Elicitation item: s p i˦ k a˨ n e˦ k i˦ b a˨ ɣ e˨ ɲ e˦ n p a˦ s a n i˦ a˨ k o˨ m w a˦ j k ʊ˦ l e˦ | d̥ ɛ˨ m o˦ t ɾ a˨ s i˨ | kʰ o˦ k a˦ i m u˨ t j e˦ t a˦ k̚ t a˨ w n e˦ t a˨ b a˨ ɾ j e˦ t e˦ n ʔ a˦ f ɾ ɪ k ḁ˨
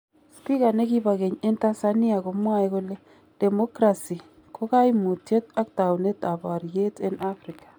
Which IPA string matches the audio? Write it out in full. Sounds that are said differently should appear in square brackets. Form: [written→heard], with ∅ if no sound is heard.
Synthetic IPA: s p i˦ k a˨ n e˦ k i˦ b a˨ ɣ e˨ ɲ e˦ n [p→t] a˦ s a n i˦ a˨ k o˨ m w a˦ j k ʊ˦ l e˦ | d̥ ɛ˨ m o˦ [t→k] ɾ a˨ s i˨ | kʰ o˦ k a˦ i m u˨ t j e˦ t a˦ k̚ t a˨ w n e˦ t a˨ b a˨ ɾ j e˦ t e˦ n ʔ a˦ f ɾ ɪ k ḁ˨